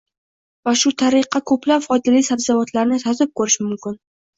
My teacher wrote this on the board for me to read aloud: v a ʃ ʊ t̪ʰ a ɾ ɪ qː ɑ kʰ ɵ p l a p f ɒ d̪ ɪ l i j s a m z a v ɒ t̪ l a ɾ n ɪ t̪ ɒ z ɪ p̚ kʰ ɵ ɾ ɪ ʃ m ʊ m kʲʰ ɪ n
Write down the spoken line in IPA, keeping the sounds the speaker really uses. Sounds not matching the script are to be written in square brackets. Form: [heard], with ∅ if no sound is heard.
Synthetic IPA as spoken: v a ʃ ʊ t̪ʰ a ɾ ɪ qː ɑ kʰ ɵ p l a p f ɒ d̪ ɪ l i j s a [b] z a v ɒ t̪ l a ɾ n ɪ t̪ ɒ z ɪ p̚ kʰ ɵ ɾ ɪ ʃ m ʊ m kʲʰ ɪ n